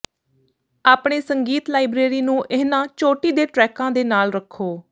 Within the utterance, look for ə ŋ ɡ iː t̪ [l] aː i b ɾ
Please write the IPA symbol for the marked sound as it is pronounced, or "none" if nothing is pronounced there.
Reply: l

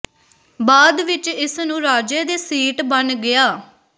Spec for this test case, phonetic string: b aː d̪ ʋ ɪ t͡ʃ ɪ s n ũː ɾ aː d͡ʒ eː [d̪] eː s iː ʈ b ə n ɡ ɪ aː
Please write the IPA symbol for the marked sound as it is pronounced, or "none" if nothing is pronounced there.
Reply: d̪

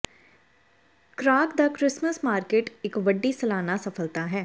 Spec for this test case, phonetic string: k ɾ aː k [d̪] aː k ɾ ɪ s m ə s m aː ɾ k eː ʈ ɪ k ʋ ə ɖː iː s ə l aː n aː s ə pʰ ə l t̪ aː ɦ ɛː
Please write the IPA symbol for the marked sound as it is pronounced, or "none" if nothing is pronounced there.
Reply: d̪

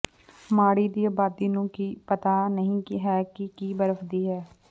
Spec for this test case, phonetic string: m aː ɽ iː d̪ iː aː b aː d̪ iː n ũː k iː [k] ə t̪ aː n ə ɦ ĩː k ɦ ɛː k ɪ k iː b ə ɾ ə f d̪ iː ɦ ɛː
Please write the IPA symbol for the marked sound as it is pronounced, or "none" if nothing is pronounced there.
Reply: p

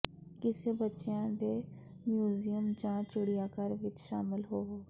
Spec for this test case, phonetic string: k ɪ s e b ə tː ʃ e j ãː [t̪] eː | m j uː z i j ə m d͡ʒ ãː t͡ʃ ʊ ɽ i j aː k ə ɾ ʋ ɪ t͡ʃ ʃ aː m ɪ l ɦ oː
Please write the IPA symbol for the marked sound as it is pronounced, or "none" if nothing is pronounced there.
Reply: d̪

